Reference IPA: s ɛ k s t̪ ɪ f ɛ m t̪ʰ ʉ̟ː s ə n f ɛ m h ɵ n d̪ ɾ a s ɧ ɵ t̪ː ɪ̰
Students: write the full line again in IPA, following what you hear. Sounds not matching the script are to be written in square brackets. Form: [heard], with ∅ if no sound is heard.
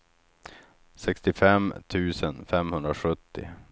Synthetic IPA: s ɛ k s t̪ ɪ f ɛ m t̪ʰ ʉ̟ː s ə n f ɛ m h ɵ n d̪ ɾ a [∅] ɧ ɵ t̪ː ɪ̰